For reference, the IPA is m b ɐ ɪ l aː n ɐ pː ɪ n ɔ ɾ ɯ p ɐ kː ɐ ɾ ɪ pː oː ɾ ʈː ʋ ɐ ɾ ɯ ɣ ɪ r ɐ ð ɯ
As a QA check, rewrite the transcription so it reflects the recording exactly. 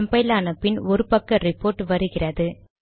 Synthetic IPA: m b ɐ ɪ l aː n ɐ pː ɪ n ɔ ɾ ɯ p ɐ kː ɐ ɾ ɪ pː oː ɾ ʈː ʋ ɐ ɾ ɯ ɣ ɪ r ɐ ð ɯ